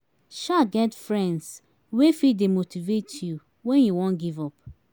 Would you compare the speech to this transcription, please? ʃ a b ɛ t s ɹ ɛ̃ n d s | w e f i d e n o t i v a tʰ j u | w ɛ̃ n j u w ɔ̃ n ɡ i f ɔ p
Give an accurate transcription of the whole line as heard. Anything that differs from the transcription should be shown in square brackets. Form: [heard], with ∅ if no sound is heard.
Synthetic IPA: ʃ a [ɡ] ɛ t [f] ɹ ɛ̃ n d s | w e f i d e [m] o t i v [e] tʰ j u | w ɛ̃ n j u w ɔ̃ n ɡ i [v] ɔ p